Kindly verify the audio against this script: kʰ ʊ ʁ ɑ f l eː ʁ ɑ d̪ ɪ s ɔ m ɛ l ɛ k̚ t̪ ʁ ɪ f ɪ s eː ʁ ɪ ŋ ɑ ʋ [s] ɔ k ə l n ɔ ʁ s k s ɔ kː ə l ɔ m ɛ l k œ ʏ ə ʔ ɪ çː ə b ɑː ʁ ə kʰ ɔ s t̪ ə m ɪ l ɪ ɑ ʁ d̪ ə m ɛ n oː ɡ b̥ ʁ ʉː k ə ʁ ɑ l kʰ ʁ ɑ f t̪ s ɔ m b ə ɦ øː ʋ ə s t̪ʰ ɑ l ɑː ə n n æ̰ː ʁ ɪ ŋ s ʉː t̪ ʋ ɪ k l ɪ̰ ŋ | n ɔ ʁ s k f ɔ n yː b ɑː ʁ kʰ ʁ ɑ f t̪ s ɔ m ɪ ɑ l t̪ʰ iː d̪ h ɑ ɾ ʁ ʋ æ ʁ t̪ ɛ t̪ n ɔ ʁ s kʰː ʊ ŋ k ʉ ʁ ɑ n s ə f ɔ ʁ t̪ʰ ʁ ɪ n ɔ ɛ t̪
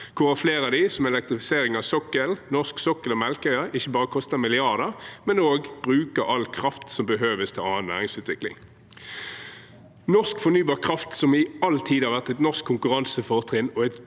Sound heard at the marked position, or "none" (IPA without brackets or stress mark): s